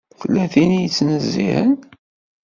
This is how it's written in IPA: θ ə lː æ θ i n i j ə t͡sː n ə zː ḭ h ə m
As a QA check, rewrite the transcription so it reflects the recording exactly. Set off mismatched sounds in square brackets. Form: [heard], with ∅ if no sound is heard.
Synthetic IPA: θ ə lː æ θ i n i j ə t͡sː n ə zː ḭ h ə [n]